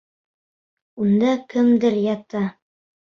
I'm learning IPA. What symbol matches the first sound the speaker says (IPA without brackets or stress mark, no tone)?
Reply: u